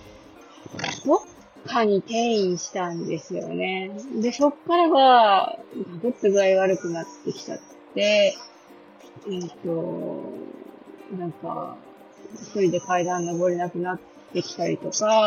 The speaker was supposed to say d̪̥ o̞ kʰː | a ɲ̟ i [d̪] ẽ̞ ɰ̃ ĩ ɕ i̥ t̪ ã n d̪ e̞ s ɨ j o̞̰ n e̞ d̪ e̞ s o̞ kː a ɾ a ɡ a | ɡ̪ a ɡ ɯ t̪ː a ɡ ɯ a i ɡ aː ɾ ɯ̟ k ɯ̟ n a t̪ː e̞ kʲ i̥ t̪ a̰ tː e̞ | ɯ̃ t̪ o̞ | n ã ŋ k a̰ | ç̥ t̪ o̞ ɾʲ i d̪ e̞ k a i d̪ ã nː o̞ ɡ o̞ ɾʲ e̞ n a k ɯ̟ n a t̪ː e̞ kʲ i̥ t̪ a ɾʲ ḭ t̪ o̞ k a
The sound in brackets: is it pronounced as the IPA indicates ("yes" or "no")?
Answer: no